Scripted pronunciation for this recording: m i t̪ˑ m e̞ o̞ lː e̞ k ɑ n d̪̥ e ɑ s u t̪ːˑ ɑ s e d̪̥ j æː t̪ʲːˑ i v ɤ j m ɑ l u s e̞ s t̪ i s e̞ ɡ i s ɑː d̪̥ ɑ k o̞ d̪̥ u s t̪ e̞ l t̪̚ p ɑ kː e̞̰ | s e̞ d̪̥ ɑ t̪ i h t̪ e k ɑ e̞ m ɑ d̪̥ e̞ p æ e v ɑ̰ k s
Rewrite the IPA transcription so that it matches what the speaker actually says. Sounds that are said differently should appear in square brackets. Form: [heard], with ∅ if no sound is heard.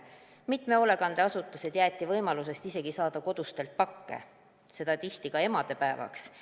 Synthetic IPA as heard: m i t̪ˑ m e̞ o̞ [l] e̞ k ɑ n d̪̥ e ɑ s u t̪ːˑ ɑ s e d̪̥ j æː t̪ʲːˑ i v ɤ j m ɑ l u s e̞ s t̪ i s e̞ ɡ i s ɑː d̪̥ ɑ k o̞ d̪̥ u s t̪ e̞ l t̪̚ p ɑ kː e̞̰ | s e̞ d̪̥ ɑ t̪ i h t̪ [i] k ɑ e̞ m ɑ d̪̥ e̞ p æ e v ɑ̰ k s